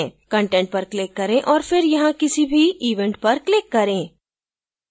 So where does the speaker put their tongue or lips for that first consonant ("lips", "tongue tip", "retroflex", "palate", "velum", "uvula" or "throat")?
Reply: velum